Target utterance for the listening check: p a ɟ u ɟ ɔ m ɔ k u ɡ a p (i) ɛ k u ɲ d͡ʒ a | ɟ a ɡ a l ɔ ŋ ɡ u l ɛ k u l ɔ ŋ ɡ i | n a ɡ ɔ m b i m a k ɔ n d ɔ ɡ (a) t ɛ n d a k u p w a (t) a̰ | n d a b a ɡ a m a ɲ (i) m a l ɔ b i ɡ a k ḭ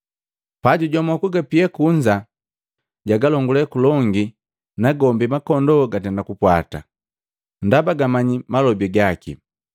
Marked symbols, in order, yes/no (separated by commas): yes, yes, yes, yes